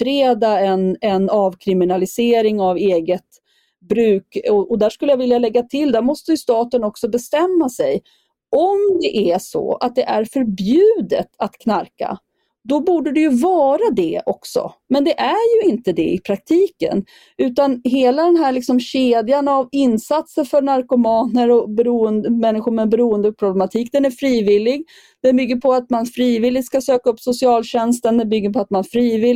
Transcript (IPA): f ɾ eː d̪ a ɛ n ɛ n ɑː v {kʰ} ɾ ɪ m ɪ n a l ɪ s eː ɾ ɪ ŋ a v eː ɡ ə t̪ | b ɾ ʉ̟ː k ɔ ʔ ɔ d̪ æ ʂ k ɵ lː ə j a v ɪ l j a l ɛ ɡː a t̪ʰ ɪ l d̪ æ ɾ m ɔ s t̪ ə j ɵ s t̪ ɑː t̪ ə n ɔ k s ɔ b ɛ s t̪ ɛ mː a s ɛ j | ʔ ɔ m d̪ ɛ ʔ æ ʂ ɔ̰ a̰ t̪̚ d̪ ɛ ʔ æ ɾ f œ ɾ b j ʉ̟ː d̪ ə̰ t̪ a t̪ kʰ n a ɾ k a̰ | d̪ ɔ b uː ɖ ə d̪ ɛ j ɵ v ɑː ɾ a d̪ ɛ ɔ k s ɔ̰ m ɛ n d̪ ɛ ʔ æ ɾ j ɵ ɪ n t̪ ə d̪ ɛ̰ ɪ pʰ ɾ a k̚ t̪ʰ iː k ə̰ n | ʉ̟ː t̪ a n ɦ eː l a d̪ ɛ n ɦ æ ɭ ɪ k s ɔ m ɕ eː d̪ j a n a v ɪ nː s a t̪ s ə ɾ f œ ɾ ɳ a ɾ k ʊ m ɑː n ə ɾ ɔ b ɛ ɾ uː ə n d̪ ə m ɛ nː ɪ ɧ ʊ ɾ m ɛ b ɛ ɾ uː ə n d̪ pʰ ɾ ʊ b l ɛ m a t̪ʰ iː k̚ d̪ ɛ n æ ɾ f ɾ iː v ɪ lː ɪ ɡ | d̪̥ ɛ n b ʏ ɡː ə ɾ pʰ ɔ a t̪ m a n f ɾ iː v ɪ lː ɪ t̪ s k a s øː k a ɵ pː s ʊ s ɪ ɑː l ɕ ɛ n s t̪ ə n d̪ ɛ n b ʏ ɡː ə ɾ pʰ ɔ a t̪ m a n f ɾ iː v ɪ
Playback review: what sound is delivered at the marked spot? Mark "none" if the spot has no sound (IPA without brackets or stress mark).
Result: kʰ